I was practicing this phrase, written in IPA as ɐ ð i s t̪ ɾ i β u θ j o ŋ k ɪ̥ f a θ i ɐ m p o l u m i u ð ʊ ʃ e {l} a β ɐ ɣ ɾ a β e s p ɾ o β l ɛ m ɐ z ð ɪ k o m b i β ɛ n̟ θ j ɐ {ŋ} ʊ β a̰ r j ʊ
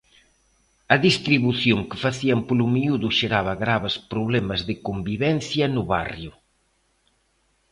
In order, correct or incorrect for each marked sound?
incorrect, incorrect

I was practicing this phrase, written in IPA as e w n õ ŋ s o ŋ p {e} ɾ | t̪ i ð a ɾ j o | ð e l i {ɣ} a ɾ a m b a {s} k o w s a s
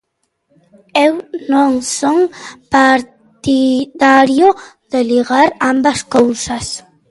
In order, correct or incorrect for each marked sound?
incorrect, correct, correct

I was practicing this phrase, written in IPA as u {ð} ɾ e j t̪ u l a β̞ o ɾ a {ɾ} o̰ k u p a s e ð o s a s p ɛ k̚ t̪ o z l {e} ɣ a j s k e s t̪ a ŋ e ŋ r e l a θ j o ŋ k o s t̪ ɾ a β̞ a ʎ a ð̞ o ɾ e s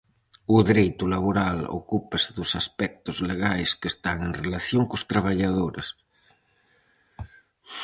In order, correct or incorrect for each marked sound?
correct, incorrect, correct

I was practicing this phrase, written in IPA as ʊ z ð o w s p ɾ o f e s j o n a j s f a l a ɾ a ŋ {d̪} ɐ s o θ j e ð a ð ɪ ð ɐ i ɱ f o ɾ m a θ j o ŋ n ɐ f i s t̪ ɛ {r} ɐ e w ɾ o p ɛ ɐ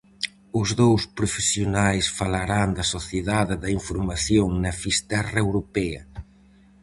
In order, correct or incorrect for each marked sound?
correct, correct

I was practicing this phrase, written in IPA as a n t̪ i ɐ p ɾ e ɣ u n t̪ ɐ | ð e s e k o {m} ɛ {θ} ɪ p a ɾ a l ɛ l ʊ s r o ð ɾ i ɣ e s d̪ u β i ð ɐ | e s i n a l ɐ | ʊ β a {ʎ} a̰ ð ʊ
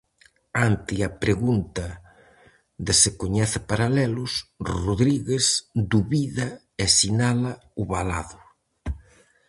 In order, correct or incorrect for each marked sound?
incorrect, correct, incorrect

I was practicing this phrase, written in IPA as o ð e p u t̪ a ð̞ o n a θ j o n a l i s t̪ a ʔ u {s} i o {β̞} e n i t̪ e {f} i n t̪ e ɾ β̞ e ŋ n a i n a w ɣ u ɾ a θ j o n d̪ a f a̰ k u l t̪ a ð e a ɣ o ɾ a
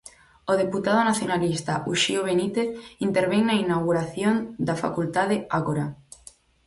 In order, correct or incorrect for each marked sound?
incorrect, correct, incorrect

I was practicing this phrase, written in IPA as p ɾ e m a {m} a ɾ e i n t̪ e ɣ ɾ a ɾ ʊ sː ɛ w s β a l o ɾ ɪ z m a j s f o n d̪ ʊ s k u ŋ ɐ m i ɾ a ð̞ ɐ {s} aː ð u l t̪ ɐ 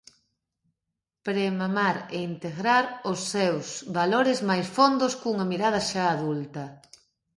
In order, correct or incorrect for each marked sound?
correct, incorrect

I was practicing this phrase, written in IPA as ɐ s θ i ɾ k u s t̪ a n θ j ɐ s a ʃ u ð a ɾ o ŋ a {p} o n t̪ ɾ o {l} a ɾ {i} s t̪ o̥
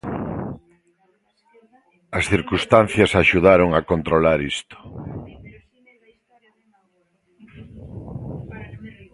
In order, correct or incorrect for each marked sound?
incorrect, correct, correct

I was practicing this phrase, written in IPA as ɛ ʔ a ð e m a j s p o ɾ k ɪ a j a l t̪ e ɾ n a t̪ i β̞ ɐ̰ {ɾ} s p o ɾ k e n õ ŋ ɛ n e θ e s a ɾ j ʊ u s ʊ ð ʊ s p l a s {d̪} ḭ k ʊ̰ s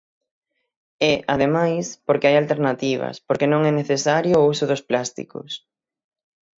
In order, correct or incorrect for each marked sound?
incorrect, incorrect

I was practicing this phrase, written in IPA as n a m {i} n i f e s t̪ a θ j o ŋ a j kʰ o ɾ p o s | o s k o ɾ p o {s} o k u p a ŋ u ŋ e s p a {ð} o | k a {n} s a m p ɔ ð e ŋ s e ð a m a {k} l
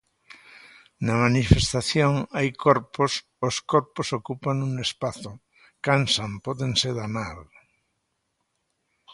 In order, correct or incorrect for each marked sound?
incorrect, correct, incorrect, correct, incorrect

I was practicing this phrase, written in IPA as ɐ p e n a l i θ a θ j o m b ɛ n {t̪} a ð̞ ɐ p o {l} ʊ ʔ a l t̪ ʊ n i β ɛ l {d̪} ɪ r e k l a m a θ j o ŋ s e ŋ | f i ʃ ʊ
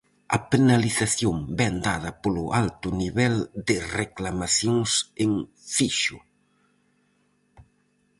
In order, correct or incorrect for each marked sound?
incorrect, correct, correct

